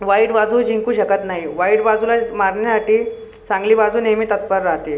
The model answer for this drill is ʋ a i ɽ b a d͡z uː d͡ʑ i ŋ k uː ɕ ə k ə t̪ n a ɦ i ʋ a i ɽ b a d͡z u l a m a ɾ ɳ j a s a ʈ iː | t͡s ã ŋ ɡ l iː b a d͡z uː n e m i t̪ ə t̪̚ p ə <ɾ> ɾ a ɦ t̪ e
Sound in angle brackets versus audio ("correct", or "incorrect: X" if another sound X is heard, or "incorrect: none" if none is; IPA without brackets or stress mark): correct